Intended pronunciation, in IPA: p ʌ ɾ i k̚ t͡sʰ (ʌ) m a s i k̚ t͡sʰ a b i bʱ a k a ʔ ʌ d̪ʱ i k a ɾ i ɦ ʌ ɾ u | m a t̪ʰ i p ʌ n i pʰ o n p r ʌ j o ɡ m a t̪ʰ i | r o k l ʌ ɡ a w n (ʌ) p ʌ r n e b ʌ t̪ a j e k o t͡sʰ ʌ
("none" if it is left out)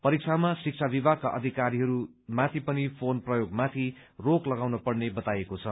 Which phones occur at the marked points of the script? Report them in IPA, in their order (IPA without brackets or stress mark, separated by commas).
a, ʌ